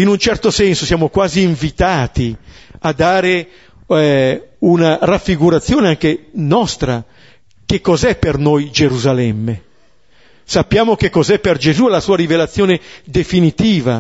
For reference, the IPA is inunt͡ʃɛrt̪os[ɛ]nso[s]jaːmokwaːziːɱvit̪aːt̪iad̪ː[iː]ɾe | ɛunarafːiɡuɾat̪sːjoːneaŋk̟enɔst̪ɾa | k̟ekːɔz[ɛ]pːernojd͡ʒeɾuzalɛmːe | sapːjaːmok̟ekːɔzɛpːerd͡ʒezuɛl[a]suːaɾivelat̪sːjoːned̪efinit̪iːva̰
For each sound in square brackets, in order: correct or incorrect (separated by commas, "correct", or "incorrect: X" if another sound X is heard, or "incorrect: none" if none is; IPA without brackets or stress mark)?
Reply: correct, correct, incorrect: aː, correct, correct